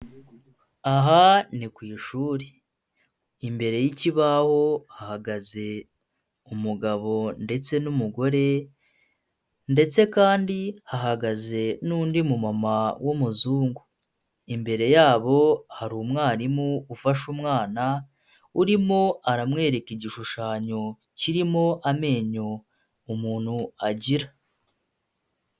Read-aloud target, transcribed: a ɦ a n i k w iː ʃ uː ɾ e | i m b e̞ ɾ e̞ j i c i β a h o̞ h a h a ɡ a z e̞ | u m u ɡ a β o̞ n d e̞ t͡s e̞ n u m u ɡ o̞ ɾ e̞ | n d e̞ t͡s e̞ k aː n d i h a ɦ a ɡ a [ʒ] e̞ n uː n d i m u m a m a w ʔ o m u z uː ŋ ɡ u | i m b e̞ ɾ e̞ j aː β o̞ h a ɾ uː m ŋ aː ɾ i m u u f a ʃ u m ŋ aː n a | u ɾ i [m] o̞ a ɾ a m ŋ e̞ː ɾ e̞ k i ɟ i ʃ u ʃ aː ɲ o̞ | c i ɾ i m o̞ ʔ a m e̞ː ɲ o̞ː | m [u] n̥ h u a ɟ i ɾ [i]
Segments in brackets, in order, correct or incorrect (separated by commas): incorrect, correct, incorrect, incorrect